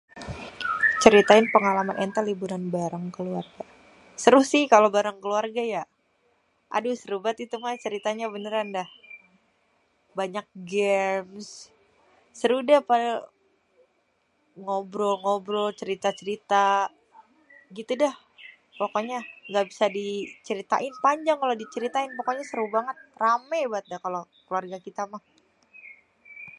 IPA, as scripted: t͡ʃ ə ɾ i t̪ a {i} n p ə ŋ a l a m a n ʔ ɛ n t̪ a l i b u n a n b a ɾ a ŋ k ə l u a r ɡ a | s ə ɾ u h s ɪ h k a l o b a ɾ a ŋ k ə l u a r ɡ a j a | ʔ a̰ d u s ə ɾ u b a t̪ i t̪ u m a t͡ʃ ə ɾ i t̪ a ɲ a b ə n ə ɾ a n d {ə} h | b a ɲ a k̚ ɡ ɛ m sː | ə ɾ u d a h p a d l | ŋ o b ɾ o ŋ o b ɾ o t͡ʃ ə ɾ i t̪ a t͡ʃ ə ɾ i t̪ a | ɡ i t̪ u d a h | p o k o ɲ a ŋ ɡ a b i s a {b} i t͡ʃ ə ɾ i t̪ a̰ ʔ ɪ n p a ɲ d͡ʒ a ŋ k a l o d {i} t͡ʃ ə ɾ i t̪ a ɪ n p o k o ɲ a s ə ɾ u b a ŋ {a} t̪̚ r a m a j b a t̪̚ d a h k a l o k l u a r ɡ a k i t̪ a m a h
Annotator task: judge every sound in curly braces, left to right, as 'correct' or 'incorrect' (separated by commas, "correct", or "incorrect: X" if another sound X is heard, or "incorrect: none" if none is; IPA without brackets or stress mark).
incorrect: ɪ, incorrect: a, incorrect: d, correct, incorrect: ə